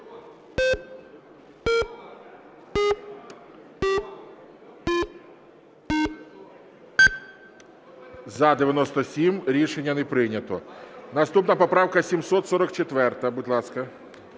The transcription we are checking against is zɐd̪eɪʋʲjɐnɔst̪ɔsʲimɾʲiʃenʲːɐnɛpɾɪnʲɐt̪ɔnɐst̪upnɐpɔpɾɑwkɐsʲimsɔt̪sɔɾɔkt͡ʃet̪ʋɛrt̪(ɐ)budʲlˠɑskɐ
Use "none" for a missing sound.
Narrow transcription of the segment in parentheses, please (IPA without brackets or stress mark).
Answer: ɐ